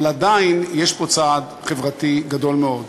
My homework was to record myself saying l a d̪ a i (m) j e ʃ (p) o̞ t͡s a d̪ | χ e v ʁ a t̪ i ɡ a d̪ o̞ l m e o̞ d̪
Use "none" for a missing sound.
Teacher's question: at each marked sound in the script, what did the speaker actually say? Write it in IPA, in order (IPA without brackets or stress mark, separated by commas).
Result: n, p